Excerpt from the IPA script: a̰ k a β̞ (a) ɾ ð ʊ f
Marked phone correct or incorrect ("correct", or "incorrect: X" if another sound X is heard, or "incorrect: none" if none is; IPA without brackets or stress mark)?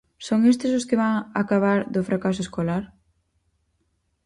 correct